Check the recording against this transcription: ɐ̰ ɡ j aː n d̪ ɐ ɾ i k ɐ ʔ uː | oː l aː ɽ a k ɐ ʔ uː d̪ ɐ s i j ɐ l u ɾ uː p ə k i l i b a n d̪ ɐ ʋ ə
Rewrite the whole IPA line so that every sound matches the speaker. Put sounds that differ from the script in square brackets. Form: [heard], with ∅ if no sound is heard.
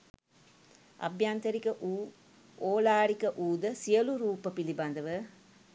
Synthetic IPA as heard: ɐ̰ [b] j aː n [t̪] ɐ ɾ i k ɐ ʔ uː | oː l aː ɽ [i] k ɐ ʔ uː d̪ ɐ s i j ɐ l u ɾ uː p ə [p] i l i b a n d̪ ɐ ʋ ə